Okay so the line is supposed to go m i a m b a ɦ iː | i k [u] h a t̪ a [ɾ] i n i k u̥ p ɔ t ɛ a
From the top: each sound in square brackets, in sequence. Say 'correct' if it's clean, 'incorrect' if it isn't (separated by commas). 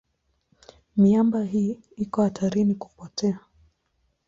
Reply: incorrect, correct